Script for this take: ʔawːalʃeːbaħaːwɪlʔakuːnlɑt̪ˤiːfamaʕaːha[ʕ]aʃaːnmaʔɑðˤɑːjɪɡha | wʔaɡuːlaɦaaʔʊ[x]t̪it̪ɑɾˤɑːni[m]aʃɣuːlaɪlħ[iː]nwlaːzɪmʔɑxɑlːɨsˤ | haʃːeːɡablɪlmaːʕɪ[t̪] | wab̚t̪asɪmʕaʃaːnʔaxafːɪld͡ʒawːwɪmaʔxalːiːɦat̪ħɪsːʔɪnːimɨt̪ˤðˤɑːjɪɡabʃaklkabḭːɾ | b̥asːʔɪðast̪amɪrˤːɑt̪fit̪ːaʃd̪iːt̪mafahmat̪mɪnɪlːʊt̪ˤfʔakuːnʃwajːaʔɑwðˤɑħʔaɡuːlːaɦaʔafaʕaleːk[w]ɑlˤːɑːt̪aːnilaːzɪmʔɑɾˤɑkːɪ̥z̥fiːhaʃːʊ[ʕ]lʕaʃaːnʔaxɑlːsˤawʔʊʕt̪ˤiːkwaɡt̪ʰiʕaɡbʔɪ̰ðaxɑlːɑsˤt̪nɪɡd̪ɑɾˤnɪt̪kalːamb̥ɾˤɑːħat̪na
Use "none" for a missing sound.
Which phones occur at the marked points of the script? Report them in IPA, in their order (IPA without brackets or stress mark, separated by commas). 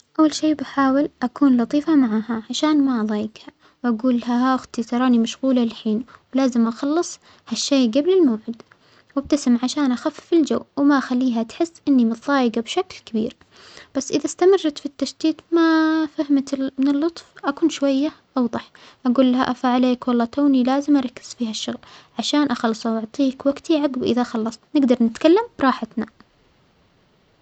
ʕ, x, m, iː, d̪, w, ɣ